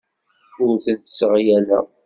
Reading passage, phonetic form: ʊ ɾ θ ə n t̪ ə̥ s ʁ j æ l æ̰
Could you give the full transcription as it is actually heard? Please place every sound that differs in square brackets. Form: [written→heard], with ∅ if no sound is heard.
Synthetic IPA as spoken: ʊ ɾ θ ə n t̪ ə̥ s ʁ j æ l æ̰